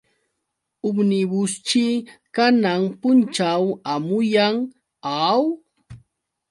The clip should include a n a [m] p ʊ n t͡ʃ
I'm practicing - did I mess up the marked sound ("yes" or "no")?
yes